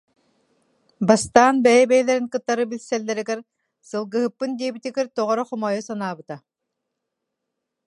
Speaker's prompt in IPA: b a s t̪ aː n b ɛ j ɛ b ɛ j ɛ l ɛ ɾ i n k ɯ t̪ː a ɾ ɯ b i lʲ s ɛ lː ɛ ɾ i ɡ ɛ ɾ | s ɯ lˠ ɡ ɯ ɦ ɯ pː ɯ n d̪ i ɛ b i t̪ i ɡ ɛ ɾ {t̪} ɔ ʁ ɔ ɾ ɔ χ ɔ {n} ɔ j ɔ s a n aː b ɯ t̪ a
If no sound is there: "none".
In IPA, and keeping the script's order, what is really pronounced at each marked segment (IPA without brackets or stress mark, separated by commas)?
t̪, m